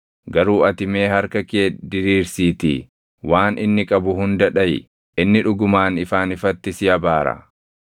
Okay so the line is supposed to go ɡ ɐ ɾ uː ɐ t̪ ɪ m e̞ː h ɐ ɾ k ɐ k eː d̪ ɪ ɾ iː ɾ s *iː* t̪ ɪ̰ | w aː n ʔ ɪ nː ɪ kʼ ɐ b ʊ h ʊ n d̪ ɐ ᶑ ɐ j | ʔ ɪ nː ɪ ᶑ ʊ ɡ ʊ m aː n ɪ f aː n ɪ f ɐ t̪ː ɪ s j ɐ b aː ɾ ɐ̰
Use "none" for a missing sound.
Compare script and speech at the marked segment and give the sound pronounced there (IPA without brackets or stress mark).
iː